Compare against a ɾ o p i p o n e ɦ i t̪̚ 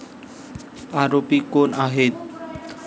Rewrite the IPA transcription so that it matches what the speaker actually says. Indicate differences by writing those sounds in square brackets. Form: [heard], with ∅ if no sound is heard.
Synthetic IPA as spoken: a ɾ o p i [k] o n [a] ɦ [e] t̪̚